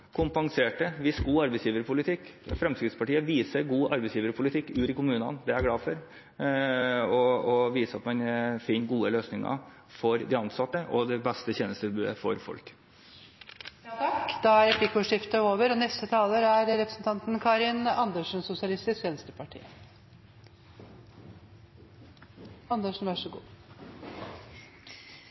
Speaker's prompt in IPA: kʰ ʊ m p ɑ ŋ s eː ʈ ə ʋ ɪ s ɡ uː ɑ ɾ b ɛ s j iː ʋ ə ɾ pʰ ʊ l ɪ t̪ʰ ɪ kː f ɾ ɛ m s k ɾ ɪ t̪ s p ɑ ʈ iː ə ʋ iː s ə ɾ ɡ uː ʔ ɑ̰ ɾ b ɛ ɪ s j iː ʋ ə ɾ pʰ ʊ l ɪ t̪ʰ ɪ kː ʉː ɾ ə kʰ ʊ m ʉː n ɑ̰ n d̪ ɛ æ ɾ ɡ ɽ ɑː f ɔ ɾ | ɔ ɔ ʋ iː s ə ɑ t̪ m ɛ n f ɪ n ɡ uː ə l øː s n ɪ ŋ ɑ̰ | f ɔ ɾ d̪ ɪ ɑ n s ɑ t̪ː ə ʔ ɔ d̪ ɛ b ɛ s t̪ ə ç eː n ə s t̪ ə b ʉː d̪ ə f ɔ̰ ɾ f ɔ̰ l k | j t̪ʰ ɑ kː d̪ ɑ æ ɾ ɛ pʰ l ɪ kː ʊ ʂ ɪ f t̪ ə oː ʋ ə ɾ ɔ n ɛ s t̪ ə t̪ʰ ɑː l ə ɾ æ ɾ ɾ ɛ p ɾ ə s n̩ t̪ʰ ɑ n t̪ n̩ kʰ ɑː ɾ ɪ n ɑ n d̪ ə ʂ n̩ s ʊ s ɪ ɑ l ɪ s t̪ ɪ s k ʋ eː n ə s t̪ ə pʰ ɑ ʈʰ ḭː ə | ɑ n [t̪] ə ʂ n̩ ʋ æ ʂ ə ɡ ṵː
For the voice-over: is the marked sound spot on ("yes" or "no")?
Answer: no